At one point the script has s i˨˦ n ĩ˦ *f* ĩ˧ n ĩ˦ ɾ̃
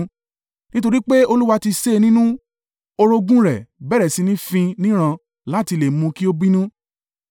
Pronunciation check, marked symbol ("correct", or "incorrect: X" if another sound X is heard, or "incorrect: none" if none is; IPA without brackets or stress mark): correct